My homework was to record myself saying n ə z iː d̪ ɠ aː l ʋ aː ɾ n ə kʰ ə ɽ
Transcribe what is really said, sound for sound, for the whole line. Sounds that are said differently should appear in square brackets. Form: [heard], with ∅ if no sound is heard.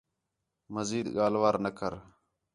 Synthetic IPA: [m] ə z iː d̪ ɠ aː l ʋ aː ɾ n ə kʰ ə [ɾ]

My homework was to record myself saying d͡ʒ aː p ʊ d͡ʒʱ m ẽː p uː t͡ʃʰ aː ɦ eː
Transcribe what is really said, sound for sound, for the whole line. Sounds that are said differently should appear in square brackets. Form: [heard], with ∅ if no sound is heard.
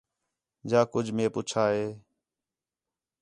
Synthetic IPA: d͡ʒ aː [k] ʊ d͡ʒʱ m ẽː p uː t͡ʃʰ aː ɦ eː

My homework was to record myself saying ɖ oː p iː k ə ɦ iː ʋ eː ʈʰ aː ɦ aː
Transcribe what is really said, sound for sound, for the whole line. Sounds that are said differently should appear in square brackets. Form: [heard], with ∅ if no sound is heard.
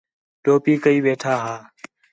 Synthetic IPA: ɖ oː p iː k ə [∅] iː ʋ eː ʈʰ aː ɦ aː

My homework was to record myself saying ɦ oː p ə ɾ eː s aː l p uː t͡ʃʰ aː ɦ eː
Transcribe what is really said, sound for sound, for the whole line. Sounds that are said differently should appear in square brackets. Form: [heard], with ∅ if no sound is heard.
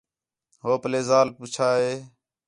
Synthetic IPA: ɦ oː p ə [l] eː [z] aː l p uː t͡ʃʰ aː ɦ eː

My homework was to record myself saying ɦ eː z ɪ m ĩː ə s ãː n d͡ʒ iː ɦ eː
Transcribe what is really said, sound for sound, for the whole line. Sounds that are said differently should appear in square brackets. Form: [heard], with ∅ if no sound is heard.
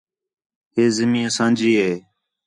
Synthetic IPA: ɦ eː z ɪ m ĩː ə s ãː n d͡ʒ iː ɦ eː

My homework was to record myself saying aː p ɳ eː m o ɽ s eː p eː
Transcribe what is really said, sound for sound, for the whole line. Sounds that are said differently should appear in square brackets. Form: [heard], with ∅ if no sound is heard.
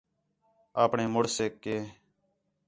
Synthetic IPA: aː p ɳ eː m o ɽ s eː [k] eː

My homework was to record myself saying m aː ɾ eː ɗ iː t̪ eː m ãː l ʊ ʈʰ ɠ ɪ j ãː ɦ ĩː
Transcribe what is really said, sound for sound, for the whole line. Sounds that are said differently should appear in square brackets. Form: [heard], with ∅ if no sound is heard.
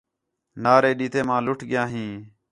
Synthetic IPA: [n] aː ɾ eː ɗ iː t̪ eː m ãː l ʊ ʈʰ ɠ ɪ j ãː ɦ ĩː

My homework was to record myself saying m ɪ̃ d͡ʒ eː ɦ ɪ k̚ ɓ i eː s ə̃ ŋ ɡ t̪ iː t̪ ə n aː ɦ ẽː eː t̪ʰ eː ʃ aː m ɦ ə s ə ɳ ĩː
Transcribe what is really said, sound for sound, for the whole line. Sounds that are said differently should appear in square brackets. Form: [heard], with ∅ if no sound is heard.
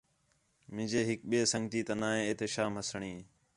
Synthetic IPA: m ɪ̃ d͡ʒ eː ɦ ɪ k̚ ɓ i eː s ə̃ ŋ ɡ t̪ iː t̪ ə n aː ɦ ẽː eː [t̪] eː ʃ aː m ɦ ə s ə ɳ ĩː

